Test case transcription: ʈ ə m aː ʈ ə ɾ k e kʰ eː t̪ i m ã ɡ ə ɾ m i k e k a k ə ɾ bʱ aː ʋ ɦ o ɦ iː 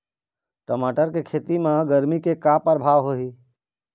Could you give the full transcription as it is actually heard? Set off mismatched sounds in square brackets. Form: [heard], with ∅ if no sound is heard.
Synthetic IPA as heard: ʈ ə m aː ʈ ə ɾ k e kʰ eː t̪ i m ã ɡ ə ɾ m i k e k a [p] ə ɾ bʱ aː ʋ ɦ o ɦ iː